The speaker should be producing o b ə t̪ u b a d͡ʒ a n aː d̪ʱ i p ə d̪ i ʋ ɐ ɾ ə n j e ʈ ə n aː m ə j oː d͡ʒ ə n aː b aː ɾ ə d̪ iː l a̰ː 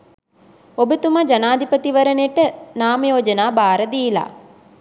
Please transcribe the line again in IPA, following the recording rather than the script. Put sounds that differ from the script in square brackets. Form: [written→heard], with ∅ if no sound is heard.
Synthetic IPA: o b ə t̪ u [b→m] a d͡ʒ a n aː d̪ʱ i p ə [d̪→t̪] i ʋ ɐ ɾ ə n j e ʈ ə n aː m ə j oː d͡ʒ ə n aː b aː ɾ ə d̪ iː l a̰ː